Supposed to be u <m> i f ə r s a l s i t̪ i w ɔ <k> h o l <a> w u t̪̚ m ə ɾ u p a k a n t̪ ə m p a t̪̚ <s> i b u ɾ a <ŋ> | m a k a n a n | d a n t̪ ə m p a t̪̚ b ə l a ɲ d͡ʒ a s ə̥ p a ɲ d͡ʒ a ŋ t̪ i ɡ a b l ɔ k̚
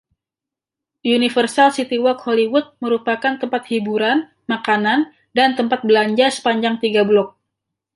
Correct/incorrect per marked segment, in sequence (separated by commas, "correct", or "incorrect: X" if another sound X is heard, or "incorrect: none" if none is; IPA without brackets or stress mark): incorrect: n, correct, incorrect: i, incorrect: h, incorrect: n